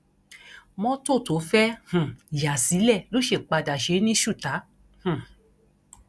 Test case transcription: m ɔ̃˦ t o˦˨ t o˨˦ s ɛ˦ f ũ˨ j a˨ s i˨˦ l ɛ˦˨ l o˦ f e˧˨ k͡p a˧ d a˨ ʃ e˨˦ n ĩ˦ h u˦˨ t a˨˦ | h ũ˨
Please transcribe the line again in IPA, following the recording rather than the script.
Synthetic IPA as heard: m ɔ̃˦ t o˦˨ t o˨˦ f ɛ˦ h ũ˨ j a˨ s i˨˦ l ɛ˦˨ l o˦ ʃ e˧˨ k͡p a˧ d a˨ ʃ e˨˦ n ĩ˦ ʃ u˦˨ t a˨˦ | h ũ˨